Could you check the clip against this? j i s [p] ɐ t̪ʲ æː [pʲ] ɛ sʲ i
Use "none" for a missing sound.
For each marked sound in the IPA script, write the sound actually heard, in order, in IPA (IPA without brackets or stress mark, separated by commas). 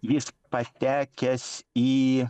p, kʲ